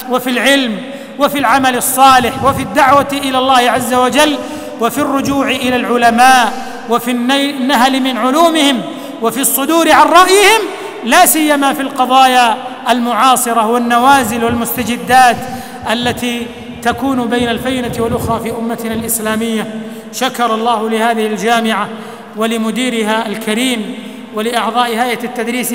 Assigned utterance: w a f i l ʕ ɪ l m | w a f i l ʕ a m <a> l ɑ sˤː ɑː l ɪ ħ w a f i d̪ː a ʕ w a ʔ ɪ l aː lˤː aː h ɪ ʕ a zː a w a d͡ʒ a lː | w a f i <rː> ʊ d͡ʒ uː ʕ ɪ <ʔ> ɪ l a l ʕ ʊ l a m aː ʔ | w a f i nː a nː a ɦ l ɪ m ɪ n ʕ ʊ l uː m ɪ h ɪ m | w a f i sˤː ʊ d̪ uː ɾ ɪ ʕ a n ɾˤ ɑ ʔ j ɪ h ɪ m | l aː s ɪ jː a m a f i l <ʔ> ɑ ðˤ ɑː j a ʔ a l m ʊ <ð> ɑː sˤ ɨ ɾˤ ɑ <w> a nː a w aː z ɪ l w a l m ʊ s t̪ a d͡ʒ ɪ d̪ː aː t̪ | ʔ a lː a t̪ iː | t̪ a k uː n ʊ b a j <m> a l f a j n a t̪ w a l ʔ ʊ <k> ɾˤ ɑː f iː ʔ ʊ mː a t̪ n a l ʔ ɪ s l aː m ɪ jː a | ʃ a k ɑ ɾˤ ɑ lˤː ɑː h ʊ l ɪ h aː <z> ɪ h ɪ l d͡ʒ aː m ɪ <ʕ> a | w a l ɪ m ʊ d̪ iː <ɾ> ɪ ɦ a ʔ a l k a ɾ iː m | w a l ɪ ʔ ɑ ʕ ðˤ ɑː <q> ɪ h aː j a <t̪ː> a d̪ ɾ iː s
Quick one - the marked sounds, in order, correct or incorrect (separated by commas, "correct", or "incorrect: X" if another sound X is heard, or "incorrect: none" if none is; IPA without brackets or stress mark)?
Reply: correct, correct, correct, incorrect: q, incorrect: ʕ, correct, incorrect: n, incorrect: x, incorrect: ð, correct, correct, incorrect: ʔ, correct